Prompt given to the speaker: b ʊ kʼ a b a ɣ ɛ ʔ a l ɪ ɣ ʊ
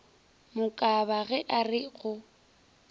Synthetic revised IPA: m ʊ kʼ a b a ɣ ɛ ʔ a r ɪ ɣ ʊ